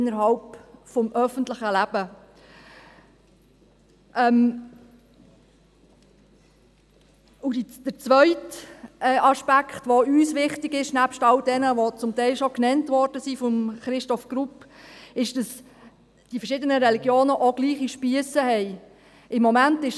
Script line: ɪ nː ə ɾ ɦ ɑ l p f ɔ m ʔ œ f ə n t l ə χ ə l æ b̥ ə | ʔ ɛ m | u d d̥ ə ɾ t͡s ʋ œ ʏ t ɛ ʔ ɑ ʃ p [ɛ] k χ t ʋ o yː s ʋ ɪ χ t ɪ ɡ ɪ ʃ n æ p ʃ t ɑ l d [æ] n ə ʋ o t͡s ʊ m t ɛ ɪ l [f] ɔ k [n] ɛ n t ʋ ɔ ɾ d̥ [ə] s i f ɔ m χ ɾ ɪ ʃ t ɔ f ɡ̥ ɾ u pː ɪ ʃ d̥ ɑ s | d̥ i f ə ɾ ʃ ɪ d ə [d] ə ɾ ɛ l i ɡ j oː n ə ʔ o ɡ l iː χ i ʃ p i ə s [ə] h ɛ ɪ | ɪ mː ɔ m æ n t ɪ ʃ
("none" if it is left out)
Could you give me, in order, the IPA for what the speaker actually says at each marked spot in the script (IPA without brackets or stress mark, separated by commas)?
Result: æ, ɛ, ʃ, n, ə, n, ə